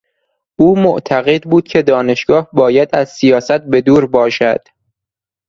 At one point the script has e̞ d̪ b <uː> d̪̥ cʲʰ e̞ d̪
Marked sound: correct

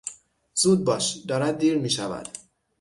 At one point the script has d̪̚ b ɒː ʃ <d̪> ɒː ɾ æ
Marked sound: correct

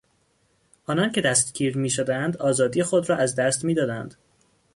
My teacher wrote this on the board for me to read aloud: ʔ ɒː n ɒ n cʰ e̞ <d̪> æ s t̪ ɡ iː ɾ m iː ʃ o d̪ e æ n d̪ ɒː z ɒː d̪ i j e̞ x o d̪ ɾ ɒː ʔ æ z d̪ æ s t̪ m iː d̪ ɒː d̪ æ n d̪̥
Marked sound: correct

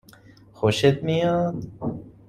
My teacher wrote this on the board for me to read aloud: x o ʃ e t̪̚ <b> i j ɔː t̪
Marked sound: incorrect: m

